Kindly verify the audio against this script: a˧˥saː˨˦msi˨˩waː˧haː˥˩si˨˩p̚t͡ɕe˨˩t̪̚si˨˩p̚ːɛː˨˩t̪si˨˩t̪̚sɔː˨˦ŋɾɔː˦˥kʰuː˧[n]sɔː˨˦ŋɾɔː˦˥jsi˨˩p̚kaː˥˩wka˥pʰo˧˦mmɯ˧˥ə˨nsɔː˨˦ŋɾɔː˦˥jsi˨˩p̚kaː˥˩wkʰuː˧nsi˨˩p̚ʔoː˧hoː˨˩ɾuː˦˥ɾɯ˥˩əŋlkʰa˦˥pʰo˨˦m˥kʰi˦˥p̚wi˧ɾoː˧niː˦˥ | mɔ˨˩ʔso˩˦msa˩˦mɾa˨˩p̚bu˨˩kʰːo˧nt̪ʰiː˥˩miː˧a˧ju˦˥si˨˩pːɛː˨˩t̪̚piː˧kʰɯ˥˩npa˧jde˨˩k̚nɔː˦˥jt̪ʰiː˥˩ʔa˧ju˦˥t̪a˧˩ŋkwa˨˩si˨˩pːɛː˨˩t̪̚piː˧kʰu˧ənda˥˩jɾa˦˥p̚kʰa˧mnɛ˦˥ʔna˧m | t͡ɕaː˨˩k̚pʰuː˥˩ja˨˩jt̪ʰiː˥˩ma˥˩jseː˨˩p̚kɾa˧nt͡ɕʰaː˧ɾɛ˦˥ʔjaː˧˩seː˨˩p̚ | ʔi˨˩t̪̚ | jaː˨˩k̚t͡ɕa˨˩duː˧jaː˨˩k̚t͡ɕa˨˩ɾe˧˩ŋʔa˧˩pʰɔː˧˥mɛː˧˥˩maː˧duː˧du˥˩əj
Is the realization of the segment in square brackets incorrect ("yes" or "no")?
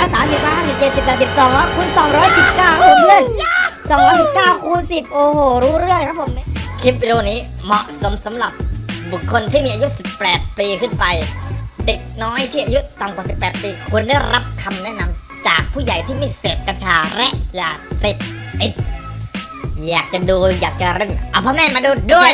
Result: no